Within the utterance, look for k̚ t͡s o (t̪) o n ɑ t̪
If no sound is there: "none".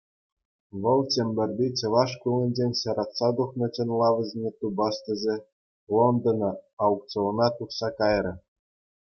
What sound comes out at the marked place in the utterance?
none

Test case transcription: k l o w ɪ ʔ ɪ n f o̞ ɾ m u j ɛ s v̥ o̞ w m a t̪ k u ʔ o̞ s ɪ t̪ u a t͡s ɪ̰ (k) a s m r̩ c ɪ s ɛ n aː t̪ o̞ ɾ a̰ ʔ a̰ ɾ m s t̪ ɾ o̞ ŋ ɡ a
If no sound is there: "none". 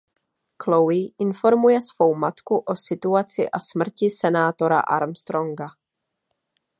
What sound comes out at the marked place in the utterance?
ʔ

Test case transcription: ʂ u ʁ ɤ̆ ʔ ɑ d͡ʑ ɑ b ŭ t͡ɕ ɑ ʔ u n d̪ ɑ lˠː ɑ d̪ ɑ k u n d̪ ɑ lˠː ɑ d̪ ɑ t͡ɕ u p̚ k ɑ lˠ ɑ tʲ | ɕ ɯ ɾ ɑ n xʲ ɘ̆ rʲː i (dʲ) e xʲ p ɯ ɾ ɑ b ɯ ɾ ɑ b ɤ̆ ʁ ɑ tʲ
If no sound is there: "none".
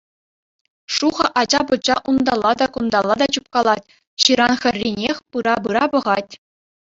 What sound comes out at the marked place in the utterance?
nʲ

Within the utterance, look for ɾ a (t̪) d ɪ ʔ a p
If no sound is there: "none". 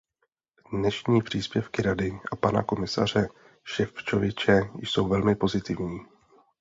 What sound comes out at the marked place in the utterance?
none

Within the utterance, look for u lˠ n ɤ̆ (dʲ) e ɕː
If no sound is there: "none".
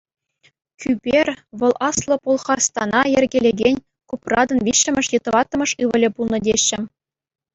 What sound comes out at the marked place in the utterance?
dʲ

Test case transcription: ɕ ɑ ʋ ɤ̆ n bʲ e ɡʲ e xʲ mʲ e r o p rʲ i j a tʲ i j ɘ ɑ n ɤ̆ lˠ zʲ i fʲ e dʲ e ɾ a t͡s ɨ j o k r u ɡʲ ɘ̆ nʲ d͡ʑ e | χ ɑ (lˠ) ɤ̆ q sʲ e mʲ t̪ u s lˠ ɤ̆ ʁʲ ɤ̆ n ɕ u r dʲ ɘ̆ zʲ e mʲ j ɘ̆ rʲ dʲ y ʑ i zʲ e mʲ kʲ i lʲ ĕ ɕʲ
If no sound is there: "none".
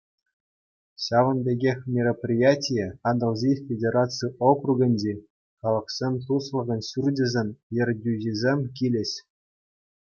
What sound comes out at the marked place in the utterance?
lˠ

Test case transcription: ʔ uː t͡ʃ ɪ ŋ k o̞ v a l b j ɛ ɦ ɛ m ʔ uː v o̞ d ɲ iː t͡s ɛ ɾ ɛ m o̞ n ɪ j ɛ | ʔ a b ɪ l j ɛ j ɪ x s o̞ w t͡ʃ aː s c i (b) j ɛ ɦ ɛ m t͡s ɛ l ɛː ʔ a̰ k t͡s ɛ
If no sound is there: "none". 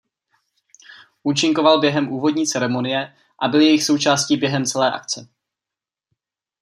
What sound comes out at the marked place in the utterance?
b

